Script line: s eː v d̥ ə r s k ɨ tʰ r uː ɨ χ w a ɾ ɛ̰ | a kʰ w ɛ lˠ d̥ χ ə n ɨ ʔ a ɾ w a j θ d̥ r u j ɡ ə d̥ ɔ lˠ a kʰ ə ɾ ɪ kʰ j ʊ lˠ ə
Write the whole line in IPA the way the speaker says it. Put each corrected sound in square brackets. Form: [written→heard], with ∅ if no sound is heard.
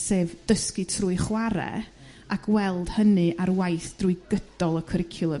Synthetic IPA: s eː v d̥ ə [r→∅] s k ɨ tʰ r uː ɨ χ w a ɾ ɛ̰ | a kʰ w ɛ lˠ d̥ [χ→h] ə n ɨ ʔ a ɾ w a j θ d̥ r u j ɡ ə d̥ ɔ lˠ [a→ə] kʰ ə ɾ ɪ kʰ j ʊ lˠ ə